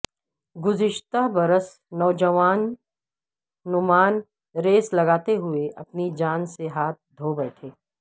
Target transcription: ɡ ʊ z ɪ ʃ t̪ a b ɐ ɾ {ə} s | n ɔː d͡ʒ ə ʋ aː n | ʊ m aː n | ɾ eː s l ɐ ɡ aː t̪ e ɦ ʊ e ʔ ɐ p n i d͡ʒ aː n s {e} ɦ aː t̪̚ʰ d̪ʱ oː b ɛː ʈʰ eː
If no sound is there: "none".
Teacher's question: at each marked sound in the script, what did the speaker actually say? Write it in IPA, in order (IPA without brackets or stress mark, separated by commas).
ə, e